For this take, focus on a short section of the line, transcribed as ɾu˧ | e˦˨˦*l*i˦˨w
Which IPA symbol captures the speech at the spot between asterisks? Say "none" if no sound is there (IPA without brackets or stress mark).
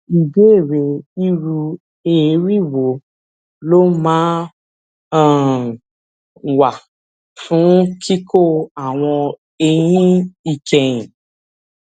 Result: ɾ